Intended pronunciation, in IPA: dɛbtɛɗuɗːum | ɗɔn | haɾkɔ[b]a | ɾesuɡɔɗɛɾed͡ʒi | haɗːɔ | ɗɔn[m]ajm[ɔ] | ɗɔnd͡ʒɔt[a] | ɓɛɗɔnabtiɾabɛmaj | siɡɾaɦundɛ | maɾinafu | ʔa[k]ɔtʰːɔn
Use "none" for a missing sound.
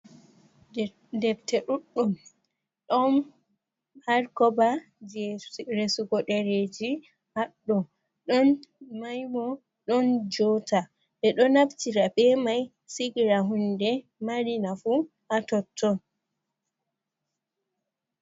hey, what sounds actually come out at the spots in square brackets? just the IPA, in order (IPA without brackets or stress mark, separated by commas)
b, m, ɔ, a, t